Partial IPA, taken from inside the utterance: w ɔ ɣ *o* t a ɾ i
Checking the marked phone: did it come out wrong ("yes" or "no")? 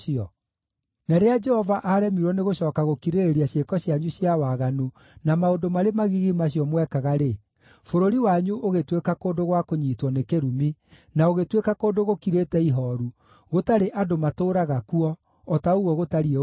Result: no